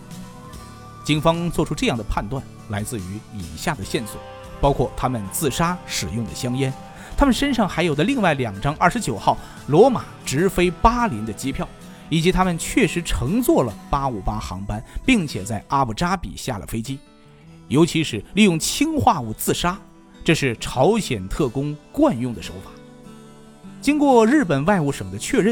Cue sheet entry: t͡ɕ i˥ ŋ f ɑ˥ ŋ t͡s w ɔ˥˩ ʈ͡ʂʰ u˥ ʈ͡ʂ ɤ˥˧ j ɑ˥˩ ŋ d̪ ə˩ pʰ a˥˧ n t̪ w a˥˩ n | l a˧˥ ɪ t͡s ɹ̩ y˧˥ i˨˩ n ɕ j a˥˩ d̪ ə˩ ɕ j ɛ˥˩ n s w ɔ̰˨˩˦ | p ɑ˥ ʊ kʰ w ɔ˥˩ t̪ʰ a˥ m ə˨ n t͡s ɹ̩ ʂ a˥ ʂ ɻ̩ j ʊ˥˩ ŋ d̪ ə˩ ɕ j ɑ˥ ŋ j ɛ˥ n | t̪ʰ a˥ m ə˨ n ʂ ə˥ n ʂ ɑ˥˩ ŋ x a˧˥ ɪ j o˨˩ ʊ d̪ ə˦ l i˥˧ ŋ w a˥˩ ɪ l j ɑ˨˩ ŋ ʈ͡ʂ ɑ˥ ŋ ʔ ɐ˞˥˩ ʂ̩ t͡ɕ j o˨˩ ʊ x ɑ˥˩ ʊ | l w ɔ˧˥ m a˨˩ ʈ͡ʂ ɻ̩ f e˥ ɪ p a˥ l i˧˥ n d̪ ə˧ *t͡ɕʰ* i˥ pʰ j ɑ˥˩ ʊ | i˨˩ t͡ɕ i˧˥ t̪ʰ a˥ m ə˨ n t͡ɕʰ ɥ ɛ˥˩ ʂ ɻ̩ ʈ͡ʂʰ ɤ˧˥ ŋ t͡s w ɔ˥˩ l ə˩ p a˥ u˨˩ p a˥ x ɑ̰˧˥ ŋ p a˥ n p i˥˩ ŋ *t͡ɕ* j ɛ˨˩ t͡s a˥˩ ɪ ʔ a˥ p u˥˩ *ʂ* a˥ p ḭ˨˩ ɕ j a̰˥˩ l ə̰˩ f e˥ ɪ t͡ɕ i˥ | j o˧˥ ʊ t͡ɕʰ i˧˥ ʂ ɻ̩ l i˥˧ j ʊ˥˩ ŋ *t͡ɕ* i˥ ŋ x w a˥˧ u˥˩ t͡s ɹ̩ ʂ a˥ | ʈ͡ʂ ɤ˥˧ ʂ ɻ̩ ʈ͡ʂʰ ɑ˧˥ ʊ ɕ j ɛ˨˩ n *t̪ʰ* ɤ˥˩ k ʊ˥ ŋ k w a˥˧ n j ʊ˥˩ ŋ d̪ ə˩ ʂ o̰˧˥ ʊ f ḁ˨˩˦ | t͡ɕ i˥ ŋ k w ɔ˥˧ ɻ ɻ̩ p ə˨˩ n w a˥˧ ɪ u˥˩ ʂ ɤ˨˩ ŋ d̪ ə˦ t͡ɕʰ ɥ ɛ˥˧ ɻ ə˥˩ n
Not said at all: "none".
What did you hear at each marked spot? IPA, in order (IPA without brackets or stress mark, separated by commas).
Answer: t͡ɕ, t͡ɕʰ, ʈ͡ʂ, t͡ɕʰ, t̪ʰ